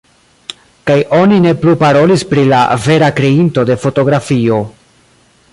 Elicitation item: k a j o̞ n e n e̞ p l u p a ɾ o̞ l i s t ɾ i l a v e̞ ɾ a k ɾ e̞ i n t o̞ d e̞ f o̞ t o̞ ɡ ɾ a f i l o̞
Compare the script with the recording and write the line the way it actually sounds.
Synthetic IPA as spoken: k a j o̞ n i n e̞ p l u p a ɾ o̞ l i s p ɾ i l a v e̞ ɾ a k ɾ e̞ i n t o̞ d e̞ f o̞ t o̞ ɡ ɾ a f i o̞

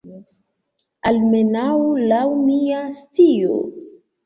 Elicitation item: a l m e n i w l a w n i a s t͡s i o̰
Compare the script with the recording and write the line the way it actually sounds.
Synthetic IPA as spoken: a l m e n a w l a w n i a s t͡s i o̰

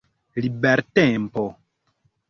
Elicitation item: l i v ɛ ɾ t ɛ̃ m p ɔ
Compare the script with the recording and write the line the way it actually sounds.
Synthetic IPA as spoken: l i b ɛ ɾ t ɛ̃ m p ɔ

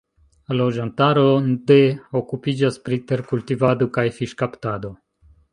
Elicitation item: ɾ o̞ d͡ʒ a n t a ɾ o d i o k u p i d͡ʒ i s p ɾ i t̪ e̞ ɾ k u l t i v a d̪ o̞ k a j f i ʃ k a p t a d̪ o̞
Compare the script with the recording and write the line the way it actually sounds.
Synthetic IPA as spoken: l o̞ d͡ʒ a n t a ɾ o d e o k u p i d͡ʒ a s p ɾ i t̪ e̞ ɾ k u l t i v a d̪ o̞ k a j f i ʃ k a p t a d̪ o̞

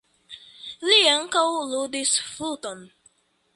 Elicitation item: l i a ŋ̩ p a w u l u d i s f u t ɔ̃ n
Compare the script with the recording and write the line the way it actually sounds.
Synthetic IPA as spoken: l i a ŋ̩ k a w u l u d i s f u t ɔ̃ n

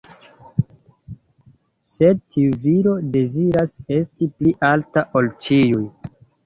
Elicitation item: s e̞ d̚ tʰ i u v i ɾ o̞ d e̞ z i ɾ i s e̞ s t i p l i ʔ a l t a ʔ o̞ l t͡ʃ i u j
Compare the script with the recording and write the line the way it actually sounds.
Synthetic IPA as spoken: s e̞ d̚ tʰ i u v i ɾ o̞ d e̞ z i ɾ a s e̞ s t i p l i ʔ a l t a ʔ o̞ l t͡ʃ i u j

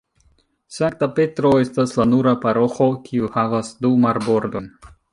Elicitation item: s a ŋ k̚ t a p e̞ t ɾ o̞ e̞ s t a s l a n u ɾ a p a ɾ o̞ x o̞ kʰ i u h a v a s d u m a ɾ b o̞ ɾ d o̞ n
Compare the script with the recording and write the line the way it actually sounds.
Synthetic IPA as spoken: s a ŋ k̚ t a p e̞ t ɾ o̞ e̞ s t a s l a n u ɾ a p a ɾ o̞ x o̞ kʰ i u h a v a s d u m a ɾ b o̞ ɾ d o̞ n

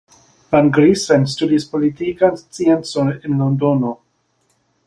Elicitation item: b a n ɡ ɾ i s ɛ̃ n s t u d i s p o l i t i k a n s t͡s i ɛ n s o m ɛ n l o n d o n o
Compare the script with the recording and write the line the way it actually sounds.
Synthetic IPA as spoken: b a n ɡ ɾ i s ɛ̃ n s t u d i s p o l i t i k a n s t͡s i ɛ n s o n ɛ n l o n d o n o

